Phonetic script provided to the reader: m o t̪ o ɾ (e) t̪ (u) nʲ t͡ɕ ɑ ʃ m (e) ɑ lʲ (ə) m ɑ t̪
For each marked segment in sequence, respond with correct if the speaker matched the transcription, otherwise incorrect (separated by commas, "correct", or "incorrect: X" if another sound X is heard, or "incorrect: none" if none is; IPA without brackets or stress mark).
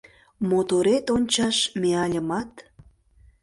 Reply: correct, incorrect: o, correct, correct